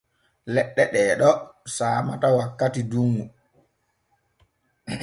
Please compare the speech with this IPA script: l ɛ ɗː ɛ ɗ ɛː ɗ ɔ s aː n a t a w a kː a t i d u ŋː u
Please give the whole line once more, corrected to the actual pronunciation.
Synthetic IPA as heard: l ɛ ɗː ɛ ɗ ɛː ɗ ɔ s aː m a t a w a kː a t i d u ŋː u